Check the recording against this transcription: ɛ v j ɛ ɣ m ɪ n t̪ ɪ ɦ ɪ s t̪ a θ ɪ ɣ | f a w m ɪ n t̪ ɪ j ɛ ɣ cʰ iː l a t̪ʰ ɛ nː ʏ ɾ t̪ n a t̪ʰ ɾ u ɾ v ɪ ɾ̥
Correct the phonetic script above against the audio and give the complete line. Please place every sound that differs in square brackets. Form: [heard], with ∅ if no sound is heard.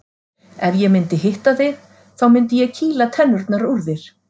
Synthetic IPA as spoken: ɛ v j ɛ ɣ m ɪ n t̪ ɪ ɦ ɪ [h] t̪ a θ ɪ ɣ | [θ] a w m ɪ n t̪ ɪ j ɛ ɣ cʰ iː l a t̪ʰ ɛ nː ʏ ɾ t̪ n a [∅] ɾ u ɾ [ð] ɪ ɾ̥